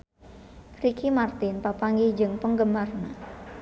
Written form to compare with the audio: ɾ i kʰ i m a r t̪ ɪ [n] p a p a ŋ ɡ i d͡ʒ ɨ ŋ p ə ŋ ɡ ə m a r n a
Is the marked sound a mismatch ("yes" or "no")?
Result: no